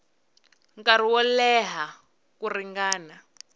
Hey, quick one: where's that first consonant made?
velum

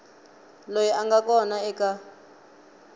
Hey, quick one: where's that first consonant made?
tongue tip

